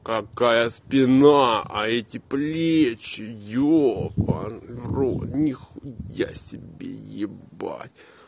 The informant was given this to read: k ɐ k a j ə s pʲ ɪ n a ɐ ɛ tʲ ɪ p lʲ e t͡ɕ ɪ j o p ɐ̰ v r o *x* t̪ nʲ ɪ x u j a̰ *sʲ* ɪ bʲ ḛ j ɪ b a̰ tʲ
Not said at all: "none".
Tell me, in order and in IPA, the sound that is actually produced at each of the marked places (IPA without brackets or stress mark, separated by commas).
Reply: none, sʲ